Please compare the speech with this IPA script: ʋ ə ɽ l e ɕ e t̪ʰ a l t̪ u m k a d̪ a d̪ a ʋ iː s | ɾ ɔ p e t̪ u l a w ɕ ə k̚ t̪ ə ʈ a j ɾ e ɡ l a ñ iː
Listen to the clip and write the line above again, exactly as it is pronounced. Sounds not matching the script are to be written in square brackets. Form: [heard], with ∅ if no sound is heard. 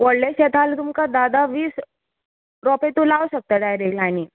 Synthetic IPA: ʋ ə ɽ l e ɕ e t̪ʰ a l t̪ u m k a d̪ a d̪ a ʋ iː s | ɾ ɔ p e t̪ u l a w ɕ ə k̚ t̪ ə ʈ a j ɾ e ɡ l a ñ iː